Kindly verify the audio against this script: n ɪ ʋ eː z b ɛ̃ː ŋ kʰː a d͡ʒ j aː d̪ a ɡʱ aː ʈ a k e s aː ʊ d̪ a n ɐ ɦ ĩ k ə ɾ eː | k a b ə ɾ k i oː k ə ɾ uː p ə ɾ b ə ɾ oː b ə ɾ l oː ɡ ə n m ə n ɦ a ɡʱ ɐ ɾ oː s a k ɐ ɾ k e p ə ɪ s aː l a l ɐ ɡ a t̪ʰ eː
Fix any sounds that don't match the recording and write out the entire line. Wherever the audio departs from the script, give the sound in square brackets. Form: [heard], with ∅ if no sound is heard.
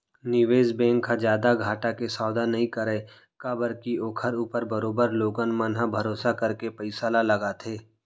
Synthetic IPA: n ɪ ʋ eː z b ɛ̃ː ŋ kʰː a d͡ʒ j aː d̪ a ɡʱ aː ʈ a k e s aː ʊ d̪ a n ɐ ɦ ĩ k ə ɾ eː | k a b ə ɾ k i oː [kʰ] ə ɾ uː p ə ɾ b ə ɾ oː b ə ɾ l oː ɡ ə n m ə n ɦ a [bʱ] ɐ ɾ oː s a k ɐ ɾ k e p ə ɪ s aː l a l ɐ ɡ a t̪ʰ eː